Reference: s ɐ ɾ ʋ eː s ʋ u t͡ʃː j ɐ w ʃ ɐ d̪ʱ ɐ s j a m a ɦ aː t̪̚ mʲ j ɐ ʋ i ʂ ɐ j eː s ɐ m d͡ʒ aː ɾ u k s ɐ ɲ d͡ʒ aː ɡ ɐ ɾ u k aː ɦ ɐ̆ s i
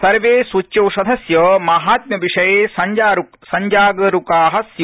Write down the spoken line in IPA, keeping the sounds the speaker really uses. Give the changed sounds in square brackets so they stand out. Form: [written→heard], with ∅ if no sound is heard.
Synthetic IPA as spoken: s ɐ ɾ ʋ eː s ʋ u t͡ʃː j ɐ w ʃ ɐ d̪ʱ ɐ s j [a→ɐ] m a ɦ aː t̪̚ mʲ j ɐ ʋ i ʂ ɐ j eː s ɐ [m→ɲ] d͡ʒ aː ɾ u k s ɐ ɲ d͡ʒ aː ɡ ɐ ɾ u k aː ɦ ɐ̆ s [i→j]